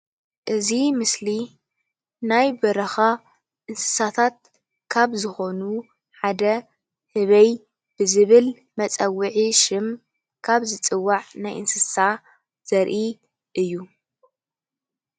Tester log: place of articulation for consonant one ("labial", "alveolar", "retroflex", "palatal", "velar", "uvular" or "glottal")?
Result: glottal